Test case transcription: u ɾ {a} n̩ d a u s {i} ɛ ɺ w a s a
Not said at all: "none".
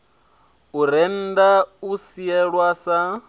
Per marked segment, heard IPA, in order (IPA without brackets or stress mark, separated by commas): ɛ, i